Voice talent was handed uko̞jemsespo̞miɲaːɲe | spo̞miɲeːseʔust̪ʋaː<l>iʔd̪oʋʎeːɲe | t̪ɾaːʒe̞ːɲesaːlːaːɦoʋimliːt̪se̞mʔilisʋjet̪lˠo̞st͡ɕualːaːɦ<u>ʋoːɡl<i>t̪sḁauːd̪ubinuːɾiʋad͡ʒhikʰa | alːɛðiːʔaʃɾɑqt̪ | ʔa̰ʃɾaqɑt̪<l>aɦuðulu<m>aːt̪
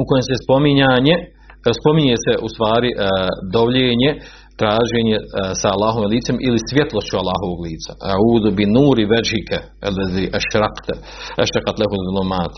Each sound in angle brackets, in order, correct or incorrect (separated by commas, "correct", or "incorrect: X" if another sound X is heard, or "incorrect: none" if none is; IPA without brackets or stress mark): incorrect: ɾ, incorrect: o, incorrect: iː, correct, correct